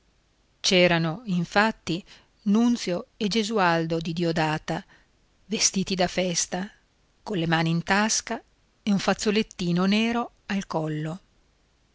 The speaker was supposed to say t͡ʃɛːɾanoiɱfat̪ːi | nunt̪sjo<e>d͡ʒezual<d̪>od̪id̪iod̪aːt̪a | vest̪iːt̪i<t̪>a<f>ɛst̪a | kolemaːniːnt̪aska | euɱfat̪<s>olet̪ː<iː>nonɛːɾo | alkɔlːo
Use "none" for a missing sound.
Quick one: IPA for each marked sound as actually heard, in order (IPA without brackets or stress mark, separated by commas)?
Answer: e, d̪, d̪, f, sː, iː